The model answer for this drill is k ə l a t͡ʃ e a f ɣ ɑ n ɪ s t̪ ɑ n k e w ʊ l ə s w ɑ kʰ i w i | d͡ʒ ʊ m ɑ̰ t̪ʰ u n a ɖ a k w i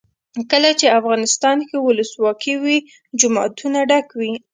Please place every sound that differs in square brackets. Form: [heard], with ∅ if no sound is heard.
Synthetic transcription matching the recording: k ə l a t͡ʃ e a f ɣ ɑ n ɪ s t̪ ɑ n k e w ʊ l ə s w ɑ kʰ i w i | d͡ʒ ʊ m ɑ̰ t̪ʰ u n a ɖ a k w i